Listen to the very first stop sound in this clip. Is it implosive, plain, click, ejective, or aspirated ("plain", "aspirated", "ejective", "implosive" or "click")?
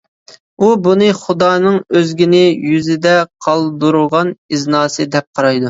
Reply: plain